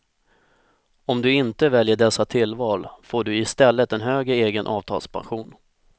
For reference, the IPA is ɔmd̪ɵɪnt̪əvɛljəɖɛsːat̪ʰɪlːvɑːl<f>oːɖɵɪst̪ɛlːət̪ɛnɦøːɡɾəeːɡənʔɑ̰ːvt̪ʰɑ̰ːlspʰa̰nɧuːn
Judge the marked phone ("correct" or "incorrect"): correct